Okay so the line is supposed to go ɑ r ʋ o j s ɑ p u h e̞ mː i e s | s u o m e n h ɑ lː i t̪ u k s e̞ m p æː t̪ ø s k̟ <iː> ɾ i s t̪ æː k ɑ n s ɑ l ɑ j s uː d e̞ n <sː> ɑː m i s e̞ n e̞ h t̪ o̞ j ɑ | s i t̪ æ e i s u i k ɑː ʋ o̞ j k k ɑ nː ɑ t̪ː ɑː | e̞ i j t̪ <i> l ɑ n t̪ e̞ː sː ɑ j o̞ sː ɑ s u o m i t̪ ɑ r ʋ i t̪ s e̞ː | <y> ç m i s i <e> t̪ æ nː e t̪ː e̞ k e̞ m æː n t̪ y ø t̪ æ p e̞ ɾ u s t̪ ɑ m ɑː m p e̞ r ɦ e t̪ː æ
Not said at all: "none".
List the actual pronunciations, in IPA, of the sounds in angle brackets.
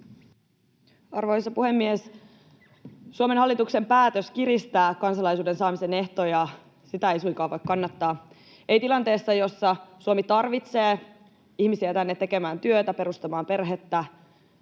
i, s, i, i, æ

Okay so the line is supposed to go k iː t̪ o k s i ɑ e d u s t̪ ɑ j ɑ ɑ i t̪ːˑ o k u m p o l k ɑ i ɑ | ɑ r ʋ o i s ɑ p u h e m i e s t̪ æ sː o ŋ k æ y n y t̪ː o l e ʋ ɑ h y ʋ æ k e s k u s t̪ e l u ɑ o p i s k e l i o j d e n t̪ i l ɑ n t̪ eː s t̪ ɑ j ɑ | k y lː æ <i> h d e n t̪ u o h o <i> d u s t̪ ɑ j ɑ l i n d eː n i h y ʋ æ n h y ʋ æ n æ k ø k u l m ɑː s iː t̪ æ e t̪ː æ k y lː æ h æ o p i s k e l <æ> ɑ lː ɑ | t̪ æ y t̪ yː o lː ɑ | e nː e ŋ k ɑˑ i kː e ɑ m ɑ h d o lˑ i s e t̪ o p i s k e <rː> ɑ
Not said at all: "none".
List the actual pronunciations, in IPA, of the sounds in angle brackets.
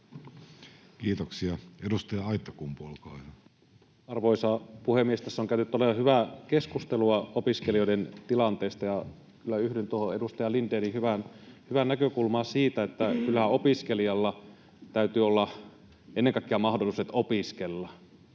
y, e, i, lː

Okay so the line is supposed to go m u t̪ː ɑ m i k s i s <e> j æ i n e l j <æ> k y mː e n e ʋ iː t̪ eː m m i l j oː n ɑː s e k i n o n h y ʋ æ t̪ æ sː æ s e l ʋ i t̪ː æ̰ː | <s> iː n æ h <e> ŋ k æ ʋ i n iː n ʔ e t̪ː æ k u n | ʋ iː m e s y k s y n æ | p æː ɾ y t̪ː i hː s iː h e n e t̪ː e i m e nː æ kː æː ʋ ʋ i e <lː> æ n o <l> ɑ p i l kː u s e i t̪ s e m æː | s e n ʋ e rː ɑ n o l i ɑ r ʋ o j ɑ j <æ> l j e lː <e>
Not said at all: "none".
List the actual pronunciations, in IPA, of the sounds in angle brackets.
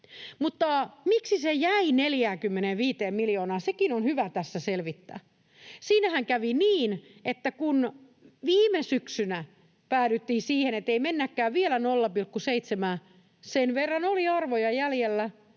e, æː, s, æ, l, lː, æ, æ

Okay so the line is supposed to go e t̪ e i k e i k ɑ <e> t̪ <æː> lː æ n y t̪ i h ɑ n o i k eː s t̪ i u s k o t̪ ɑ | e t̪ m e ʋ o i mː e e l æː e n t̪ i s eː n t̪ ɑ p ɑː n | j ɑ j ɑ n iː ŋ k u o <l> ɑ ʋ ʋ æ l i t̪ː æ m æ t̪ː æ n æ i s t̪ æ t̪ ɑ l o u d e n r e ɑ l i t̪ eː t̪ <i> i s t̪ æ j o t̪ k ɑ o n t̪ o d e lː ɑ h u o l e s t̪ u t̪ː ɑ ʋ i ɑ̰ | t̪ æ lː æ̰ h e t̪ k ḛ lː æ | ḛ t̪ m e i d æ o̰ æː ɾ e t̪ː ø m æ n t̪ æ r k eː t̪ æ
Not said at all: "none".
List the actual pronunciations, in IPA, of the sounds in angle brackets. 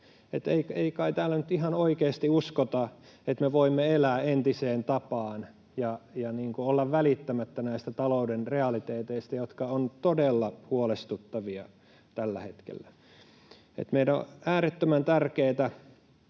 i, æː, lː, e

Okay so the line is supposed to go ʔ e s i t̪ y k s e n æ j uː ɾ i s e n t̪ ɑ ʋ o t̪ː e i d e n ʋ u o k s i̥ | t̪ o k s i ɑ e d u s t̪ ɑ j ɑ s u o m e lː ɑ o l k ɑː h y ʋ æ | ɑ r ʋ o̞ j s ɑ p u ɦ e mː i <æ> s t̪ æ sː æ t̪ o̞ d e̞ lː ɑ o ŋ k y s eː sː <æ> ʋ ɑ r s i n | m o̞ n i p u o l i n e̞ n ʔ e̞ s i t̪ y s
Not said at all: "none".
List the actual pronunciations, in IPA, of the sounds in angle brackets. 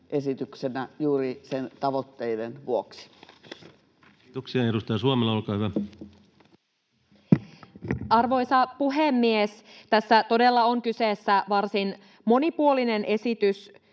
e, æ

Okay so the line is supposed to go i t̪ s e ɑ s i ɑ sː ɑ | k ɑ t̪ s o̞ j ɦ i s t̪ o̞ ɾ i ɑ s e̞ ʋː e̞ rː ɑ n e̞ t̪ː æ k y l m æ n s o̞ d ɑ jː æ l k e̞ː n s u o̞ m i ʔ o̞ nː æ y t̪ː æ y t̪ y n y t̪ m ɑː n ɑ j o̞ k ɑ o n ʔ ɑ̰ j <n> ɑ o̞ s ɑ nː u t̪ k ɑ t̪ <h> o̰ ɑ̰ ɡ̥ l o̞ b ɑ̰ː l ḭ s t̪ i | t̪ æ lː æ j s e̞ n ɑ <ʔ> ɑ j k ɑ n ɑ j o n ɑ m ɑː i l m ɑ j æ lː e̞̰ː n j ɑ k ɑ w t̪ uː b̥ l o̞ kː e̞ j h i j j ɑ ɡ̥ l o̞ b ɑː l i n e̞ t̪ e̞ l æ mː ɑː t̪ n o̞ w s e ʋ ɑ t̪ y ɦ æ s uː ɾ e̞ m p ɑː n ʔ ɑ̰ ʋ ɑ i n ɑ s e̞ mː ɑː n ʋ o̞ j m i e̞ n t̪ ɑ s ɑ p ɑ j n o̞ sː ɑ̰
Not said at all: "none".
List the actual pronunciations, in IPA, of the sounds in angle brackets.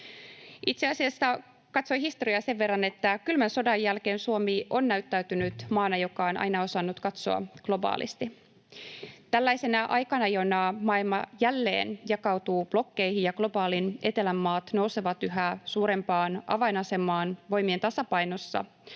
n, s, ʔ

